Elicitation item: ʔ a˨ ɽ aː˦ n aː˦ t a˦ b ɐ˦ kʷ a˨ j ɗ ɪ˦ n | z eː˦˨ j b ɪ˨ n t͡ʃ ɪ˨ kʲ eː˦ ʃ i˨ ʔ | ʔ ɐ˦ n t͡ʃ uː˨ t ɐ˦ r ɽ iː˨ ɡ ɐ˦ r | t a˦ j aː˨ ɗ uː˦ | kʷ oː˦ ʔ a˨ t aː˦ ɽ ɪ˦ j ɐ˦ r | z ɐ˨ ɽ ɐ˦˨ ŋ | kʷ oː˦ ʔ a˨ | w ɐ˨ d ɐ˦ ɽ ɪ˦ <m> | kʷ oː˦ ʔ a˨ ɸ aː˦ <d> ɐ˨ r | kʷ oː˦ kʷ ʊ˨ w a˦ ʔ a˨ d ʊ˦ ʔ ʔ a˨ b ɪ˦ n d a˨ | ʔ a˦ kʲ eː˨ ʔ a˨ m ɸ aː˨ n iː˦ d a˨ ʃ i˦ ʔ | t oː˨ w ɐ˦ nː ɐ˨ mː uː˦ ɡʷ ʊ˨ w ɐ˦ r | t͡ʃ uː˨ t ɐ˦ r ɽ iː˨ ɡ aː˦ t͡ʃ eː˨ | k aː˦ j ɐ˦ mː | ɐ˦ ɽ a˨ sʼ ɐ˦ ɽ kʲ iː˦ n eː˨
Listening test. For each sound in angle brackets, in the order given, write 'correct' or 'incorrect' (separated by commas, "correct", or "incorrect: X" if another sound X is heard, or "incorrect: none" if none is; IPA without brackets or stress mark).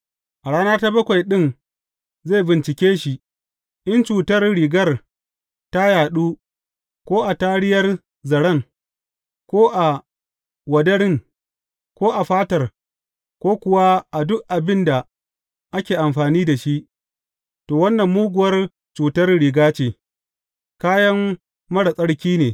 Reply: incorrect: ŋ, incorrect: t